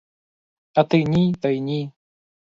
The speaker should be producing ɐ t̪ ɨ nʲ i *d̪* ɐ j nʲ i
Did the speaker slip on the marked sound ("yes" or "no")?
yes